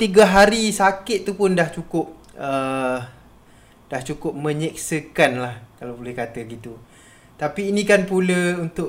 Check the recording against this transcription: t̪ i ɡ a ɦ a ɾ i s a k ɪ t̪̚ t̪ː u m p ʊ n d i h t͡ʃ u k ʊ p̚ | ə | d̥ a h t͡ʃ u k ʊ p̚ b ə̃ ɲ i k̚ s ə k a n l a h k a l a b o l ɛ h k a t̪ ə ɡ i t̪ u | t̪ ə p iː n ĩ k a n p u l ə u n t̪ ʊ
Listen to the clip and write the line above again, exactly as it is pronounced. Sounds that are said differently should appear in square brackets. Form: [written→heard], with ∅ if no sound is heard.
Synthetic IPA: t̪ i ɡ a ɦ a ɾ i s a k ɪ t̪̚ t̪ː u [m→∅] p ʊ n d [i→a] h t͡ʃ u k ʊ p̚ | ə | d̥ a h t͡ʃ u k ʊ p̚ [b→m] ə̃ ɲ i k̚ s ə k a n l a h k a l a b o l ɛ h k a t̪ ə ɡ i t̪ u | t̪ [ə→a] p iː n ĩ k a n p u l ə u n t̪ ʊ